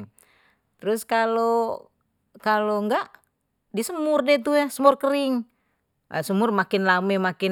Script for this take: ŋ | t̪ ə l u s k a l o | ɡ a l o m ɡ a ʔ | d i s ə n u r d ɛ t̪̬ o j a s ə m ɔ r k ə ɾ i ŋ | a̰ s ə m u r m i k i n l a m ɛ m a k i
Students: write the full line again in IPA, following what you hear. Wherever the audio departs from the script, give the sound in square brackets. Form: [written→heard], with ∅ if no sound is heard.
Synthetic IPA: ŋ | t̪ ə [l→ɾ] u s k a l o | [ɡ→k] a l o [m→ŋ] ɡ a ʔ | d i s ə [n→m] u r d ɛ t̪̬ [o→u] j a s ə m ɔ r k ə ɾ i ŋ | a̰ s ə m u r m [i→a] k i n l a m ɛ m a k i